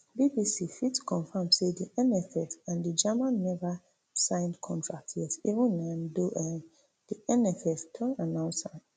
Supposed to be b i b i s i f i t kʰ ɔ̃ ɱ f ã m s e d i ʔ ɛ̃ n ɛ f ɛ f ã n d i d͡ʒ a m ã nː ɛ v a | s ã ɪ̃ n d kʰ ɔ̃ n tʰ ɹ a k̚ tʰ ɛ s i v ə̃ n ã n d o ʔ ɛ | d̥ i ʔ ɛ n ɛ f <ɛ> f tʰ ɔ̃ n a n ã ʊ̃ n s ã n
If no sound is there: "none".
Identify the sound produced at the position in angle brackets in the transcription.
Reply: ɛ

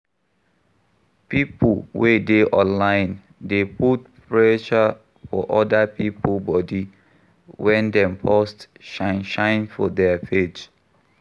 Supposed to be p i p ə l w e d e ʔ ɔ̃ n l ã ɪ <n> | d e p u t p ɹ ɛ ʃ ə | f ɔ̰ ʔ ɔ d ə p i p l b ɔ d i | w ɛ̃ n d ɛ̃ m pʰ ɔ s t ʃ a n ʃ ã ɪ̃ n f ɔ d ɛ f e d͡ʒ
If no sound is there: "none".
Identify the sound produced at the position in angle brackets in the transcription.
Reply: n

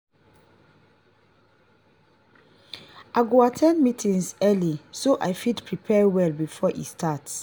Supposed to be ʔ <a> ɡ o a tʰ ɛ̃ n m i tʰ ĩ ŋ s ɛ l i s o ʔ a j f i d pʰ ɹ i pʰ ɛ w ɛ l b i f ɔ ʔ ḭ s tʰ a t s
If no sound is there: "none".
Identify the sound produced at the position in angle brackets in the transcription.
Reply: a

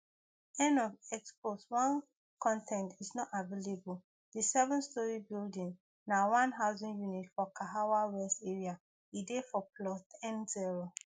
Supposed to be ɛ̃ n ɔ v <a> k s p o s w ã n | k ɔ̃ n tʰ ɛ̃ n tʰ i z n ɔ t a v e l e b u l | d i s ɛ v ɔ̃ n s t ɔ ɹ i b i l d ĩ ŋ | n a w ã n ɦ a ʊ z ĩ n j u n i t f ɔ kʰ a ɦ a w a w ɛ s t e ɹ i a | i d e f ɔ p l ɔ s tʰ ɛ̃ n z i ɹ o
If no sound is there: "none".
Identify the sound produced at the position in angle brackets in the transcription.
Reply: ɛ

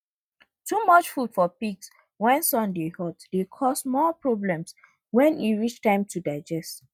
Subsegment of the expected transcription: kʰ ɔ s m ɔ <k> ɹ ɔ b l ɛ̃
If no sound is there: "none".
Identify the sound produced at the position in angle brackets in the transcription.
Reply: p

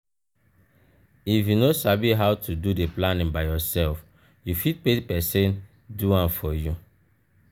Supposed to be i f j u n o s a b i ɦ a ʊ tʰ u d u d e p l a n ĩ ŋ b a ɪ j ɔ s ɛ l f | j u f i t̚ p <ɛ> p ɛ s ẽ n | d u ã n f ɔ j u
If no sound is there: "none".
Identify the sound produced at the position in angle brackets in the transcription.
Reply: e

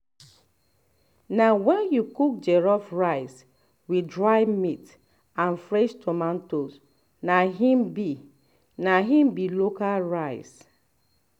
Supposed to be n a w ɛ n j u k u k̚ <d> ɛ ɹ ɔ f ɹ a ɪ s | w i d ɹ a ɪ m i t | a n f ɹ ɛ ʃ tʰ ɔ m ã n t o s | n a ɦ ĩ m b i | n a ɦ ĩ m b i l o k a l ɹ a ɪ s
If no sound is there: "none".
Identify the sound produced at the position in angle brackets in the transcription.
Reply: d͡ʒ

